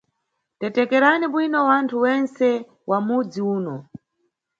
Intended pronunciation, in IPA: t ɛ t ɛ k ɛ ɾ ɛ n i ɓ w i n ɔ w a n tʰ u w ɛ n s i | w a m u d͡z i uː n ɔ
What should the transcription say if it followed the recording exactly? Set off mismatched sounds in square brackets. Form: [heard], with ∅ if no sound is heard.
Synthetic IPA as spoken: t ɛ t ɛ k ɛ ɾ [a] n i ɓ w i n ɔ w a n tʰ u w ɛ n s [ɛ] | w a m u d͡z i uː n ɔ

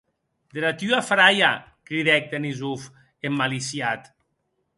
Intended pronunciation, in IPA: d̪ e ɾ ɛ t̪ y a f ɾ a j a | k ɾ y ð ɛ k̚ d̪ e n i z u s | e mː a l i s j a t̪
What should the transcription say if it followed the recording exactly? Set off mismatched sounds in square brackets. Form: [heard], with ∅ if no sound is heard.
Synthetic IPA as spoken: d̪ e ɾ [a] t̪ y a f ɾ a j a | k ɾ [i] ð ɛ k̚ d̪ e n i z u [f] | e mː a l i s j a t̪

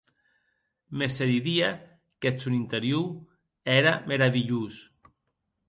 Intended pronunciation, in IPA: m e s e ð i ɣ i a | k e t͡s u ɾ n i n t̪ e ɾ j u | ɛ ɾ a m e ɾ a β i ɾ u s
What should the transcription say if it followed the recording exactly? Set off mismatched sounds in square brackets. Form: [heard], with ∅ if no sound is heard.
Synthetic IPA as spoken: m e s e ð i [ð] i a | k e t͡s u [∅] n i n t̪ e ɾ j u | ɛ ɾ a m e ɾ a β i [ʎ] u s

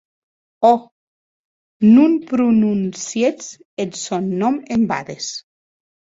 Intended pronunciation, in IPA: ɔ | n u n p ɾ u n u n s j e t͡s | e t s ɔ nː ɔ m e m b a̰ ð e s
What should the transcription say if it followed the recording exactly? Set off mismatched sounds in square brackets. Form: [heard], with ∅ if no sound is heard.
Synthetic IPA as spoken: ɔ | n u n p ɾ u n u n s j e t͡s | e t s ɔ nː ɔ m e m b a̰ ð e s

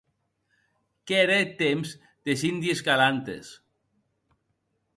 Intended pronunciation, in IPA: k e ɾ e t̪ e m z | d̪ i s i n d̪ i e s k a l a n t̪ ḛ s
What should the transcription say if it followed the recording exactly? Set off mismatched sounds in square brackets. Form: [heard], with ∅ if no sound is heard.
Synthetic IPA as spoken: k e ɾ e t̪ e m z | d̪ [e] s i n d̪ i e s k a l a n t̪ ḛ s

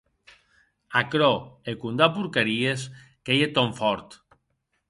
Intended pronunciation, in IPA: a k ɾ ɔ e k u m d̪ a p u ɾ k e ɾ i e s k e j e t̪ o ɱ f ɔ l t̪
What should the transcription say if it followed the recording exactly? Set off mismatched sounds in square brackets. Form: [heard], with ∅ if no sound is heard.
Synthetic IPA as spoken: a k ɾ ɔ e k u [n] d̪ a p u ɾ k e ɾ i e s k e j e t̪ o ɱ f ɔ [ɾ] t̪

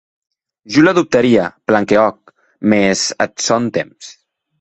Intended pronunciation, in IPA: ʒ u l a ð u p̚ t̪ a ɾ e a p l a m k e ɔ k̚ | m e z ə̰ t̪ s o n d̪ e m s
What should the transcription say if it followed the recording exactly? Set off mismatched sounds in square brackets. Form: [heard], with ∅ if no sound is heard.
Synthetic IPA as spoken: ʒ u l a ð u p̚ t̪ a ɾ [i] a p l a [ŋ] k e ɔ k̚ | m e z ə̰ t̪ s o n [t̪] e m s

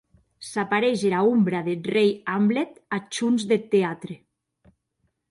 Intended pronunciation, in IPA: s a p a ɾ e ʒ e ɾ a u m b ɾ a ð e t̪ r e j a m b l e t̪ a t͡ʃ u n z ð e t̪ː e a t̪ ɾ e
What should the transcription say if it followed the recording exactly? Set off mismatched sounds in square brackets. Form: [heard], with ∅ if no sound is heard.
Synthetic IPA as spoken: s a p a ɾ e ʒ e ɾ a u m b ɾ a ð e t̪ r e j a m b l e t̪ a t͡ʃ u n z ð e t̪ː e a t̪ ɾ e

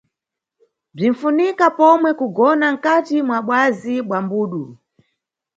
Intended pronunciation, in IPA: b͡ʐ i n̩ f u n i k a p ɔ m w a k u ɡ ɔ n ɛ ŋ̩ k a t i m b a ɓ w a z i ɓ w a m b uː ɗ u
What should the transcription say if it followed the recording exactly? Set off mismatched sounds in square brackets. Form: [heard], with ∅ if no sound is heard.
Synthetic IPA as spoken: b͡ʐ i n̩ f u n i k a p ɔ m w [ɛ] k u ɡ ɔ n [a] ŋ̩ k a t i m [w] a ɓ w a z i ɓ w a m b uː ɗ u

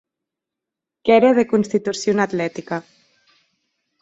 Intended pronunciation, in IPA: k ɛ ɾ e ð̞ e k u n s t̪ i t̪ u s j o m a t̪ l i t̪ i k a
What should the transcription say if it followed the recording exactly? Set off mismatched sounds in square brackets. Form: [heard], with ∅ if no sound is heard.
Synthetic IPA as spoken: k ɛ ɾ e ð̞ e k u n s t̪ i t̪ u s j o [n] a t̪ l [ɛ] t̪ i k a

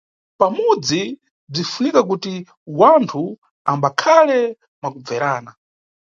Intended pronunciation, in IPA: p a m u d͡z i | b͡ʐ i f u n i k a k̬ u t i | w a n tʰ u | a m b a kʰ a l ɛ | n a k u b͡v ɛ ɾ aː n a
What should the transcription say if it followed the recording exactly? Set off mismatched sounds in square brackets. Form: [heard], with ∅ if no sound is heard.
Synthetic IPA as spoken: p a m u d͡z i | b͡ʐ i f u n i k a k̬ u t i | w a n tʰ u | a m b a kʰ a l ɛ | [m] a k u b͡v ɛ ɾ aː n a

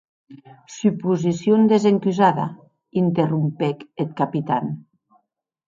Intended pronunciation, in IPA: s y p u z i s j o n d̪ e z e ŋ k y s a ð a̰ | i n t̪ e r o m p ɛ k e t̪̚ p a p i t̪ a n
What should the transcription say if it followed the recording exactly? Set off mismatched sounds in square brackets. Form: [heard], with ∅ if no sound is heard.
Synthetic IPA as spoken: s y p u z i s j o n d̪ e z e ŋ k y [z] a ð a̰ | i n t̪ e r [u] m p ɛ k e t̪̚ [k] a p i t̪ a n

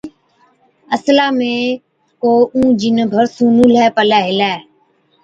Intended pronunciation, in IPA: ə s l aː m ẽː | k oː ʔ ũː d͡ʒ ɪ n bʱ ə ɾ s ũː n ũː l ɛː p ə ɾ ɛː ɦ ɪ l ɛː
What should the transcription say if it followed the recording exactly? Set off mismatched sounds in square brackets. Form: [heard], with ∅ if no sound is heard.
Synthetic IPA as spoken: ə s l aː m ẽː | k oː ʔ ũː d͡ʒ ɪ n bʱ ə ɾ s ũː n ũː l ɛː p ə [l] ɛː ɦ ɪ l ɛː

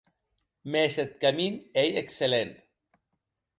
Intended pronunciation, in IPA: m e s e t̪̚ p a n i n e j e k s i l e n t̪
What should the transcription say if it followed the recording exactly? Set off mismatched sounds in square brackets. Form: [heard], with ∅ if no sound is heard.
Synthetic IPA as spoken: m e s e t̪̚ [k] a [m] i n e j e k s [e] l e n t̪

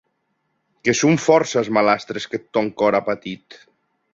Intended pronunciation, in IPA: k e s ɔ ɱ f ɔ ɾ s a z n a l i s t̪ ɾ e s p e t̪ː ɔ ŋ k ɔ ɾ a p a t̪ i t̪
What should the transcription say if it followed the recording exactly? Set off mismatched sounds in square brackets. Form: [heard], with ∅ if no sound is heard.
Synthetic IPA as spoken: k e s [u] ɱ f ɔ ɾ s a z [m] a l [a] s t̪ ɾ e s [k] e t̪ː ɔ ŋ k ɔ ɾ a p a t̪ i t̪

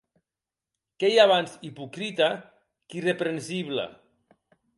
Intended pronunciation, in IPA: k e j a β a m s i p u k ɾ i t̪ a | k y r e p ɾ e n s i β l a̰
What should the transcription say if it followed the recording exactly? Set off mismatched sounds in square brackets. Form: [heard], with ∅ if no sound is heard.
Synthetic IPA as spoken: k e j a β a [n] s i p u k ɾ i t̪ a | k [i] r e p ɾ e n s i β l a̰

